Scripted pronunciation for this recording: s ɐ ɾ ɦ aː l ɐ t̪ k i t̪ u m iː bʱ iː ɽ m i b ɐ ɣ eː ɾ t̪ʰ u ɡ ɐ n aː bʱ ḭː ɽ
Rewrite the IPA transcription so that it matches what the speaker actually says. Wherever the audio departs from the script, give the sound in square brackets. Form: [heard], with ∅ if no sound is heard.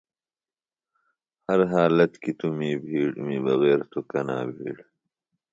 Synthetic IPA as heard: [h] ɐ ɾ ɦ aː l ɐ t̪ k i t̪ u m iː bʱ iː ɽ m i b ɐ ɣ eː ɾ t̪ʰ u [k] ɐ n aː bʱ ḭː ɽ